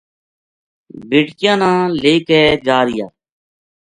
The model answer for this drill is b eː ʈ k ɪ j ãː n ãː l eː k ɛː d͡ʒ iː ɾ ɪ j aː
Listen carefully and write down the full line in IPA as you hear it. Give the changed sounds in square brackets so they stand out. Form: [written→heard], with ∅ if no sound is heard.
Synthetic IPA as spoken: b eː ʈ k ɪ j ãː n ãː l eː k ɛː d͡ʒ [iː→aː] ɾ ɪ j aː